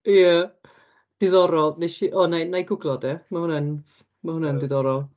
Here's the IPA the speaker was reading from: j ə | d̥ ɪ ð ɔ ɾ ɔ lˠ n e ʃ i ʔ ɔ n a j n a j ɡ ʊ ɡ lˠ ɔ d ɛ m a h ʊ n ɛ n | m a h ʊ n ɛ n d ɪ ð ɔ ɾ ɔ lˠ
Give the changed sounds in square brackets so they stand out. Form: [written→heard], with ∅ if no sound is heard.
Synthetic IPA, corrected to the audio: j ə | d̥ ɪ ð ɔ ɾ ɔ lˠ n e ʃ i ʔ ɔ n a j n a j ɡ ʊ ɡ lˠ ɔ d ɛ m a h ʊ n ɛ n | m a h ʊ n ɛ n d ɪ ð ɔ ɾ ɔ lˠ